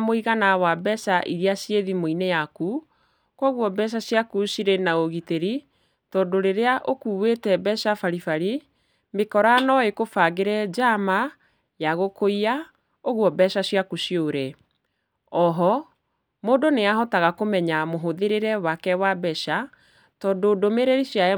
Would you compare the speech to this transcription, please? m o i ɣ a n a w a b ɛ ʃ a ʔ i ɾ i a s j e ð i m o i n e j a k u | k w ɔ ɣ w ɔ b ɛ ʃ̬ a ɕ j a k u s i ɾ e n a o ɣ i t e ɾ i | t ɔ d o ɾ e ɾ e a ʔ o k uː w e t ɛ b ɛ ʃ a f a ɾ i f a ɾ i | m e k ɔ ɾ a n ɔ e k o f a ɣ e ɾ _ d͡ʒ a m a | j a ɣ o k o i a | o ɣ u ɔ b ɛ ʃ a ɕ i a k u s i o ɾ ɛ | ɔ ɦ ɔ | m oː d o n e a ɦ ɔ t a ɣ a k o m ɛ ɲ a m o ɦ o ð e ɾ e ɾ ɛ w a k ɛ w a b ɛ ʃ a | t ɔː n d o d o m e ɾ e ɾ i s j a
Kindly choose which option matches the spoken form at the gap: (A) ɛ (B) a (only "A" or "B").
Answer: A